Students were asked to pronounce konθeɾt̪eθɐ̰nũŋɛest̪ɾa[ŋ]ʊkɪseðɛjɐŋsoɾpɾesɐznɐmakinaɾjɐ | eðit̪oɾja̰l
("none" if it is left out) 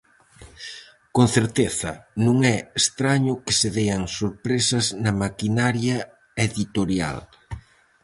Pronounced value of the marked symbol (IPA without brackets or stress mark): ɲ